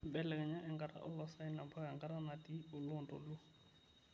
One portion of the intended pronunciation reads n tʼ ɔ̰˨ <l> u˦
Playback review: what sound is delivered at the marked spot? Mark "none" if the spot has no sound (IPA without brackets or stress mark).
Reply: l